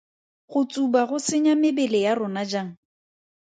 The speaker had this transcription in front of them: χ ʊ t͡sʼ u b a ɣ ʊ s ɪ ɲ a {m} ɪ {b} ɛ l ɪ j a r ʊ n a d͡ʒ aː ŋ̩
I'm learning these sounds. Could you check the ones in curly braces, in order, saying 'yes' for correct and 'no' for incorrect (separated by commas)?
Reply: yes, yes